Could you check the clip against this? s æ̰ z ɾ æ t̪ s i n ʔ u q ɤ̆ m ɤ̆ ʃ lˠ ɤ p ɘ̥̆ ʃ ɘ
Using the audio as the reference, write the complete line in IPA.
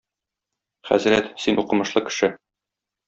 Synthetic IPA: χ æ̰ z ɾ æ t̪ s i n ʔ u q ɤ̆ m ɤ̆ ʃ lˠ ɤ k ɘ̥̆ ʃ ɘ